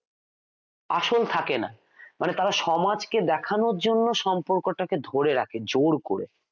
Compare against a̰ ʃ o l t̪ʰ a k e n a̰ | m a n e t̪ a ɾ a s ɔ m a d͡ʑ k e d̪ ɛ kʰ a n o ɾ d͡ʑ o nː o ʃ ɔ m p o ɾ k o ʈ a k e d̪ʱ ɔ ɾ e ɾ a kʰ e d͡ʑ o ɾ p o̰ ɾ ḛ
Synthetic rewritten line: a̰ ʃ o l t̪ʰ a k e n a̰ | m a n e t̪ a ɾ a ʃ ɔ m a d͡ʑ k e d̪ ɛ kʰ a n o ɾ d͡ʑ o nː o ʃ ɔ m p o ɾ k o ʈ a k e d̪ʱ o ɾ e ɾ a kʰ e d͡ʑ o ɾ k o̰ ɾ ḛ